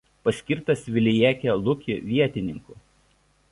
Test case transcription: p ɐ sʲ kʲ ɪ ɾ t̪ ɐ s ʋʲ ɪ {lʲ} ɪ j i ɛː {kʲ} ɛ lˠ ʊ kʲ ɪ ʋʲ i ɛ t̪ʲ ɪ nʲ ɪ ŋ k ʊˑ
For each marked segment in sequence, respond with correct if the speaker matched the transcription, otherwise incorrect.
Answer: correct, correct

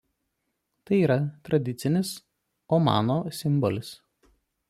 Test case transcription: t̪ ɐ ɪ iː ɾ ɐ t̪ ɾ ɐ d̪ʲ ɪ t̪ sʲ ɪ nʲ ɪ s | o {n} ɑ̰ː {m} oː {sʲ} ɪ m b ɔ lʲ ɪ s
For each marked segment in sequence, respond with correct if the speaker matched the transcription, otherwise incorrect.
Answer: incorrect, incorrect, correct

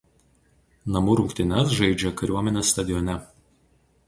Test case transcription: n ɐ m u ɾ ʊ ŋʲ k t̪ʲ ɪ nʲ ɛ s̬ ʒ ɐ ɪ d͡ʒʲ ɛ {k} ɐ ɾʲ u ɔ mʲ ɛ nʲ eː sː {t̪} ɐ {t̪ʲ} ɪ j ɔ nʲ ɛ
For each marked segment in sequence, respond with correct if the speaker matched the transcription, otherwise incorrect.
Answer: correct, correct, incorrect

